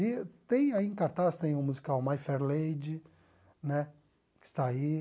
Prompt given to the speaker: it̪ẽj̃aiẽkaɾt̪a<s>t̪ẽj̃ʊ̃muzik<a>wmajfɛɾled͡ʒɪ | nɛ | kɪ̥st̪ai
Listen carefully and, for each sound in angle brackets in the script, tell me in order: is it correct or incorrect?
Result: correct, correct

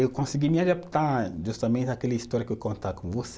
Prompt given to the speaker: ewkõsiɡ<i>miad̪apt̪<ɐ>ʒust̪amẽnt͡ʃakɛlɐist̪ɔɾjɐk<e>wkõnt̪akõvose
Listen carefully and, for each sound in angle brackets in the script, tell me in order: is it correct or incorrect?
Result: correct, incorrect, correct

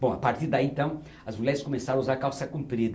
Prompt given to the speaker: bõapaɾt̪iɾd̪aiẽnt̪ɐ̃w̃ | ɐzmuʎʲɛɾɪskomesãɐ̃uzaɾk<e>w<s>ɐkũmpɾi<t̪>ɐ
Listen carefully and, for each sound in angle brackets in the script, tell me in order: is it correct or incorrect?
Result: incorrect, correct, incorrect

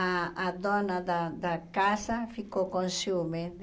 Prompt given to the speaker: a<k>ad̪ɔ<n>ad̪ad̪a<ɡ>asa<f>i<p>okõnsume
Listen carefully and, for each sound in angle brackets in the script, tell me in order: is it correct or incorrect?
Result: incorrect, correct, incorrect, correct, incorrect

